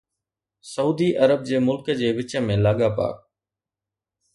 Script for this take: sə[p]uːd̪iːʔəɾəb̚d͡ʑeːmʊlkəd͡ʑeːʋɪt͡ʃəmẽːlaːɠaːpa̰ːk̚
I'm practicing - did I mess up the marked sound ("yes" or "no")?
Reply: yes